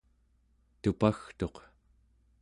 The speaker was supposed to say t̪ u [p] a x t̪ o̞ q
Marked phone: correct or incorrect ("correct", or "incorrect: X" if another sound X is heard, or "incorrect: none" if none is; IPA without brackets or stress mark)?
correct